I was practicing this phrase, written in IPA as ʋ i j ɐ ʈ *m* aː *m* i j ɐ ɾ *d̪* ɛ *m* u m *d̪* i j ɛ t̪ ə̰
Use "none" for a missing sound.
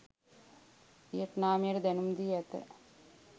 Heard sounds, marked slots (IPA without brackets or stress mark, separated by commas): n, m, d̪, n, d̪